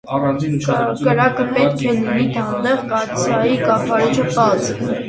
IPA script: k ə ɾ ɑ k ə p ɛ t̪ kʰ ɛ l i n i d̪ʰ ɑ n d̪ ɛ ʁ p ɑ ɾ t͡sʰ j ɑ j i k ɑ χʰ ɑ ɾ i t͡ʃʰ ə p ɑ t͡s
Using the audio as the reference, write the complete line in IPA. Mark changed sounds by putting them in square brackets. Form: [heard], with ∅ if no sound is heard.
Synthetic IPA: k ə ɾ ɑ k ə p ɛ t̪ kʰ ɛ l i n i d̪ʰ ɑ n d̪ ɛ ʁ [k] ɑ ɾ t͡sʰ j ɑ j i k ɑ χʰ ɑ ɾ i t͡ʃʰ ə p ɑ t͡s